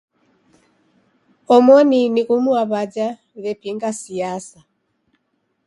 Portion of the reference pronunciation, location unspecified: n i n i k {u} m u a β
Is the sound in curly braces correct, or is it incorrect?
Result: correct